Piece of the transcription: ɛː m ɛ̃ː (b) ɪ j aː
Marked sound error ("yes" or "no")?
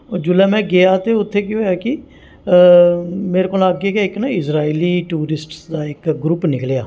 yes